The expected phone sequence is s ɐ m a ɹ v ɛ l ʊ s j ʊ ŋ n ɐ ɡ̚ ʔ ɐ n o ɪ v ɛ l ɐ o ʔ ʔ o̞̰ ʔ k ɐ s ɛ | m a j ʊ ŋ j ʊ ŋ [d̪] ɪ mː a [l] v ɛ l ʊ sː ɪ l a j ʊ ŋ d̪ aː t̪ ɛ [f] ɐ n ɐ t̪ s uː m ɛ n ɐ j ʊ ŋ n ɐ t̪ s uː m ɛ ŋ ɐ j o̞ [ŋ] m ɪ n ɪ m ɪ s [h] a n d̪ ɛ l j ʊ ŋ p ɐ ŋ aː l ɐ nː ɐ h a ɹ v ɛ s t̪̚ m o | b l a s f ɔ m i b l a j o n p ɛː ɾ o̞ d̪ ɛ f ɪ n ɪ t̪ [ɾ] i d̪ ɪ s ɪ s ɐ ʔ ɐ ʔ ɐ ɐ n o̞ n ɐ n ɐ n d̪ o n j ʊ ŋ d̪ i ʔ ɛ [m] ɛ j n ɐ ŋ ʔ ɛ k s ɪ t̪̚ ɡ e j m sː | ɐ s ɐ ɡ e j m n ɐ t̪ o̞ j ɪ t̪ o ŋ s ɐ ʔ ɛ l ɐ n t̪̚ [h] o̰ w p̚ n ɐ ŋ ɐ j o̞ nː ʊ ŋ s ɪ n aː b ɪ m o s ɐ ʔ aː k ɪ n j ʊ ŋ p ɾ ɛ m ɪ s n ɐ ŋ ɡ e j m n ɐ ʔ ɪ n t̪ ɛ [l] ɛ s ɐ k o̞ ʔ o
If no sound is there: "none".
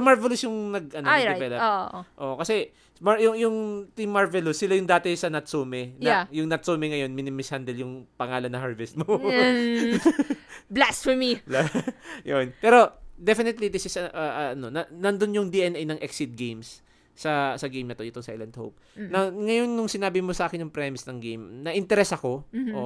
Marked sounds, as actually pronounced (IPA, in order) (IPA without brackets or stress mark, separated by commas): t̪, ɹ, s, n, h, l, n, h, ɾ